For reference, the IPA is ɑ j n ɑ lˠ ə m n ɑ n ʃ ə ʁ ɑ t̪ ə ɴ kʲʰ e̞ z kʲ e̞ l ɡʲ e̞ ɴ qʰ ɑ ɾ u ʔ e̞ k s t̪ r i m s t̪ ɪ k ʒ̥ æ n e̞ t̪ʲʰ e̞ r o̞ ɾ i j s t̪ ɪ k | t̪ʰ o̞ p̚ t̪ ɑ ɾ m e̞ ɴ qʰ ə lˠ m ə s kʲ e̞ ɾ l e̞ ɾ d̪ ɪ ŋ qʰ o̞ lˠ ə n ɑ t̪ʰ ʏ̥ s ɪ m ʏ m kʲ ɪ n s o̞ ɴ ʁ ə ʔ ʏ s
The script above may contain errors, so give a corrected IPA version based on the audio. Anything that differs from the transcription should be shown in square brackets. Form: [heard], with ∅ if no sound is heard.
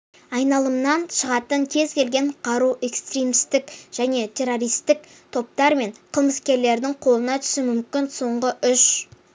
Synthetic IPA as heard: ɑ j n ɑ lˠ ə m n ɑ n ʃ ə ʁ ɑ t̪ ə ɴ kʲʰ e̞ z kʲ e̞ l ɡʲ e̞ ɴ qʰ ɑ ɾ u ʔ e̞ k s t̪ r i m s t̪ ɪ k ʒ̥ æ n e̞ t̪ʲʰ e̞ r o̞ ɾ i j s t̪ ɪ k | t̪ʰ o̞ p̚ t̪ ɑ ɾ m e̞ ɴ qʰ ə lˠ m ə s kʲ e̞ ɾ l e̞ ɾ d̪ ɪ ŋ qʰ o̞ lˠ ə n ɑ t̪ʰ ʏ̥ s ɪ m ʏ m kʲ ɪ n s o̞ ɴ ʁ ə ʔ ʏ [ʃ]

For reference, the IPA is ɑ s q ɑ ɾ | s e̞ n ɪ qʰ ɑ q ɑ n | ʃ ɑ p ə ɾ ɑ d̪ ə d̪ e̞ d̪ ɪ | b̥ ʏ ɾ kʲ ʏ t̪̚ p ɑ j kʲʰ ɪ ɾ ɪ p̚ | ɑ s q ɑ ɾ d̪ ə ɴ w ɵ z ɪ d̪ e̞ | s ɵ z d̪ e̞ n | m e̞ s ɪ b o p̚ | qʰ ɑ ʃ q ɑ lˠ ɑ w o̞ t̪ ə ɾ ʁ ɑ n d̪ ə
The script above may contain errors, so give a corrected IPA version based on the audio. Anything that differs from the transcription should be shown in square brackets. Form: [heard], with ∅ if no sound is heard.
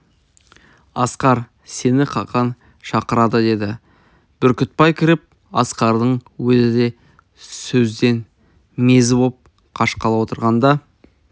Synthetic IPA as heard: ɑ s q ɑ ɾ | s e̞ n ɪ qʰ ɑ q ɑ n | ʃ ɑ [q] ə ɾ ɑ d̪ ə d̪ e̞ d̪ ɪ | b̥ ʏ ɾ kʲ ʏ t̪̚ p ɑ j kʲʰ ɪ ɾ ɪ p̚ | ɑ s q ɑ ɾ d̪ ə ɴ w ɵ z ɪ d̪ e̞ | s ɵ z d̪ e̞ n | m e̞ [z] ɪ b o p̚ | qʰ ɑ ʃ q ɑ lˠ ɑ w o̞ t̪ ə ɾ ʁ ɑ n d̪ [ɑ]

